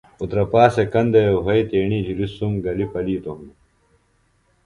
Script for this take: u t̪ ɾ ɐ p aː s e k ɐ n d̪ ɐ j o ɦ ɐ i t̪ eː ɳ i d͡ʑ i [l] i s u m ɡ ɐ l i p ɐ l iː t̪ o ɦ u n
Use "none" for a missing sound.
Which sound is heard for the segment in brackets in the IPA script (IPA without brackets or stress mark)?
ɾ